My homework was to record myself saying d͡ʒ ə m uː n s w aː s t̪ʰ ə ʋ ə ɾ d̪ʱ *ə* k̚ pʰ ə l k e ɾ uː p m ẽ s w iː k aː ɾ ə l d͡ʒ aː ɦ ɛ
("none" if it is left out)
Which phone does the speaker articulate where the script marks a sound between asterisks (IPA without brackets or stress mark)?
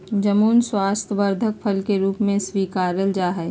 ə